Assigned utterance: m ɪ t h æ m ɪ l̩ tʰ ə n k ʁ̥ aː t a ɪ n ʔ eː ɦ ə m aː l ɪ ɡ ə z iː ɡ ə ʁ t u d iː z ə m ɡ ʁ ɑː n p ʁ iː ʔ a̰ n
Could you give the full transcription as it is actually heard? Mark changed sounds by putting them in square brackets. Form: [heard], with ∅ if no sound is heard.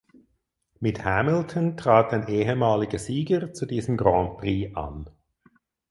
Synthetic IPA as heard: m ɪ t h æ m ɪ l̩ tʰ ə n [t] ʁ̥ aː t a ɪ n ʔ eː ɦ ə m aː l ɪ ɡ ə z iː ɡ ə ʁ [t͡s] u d iː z ə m ɡ ʁ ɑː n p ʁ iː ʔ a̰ n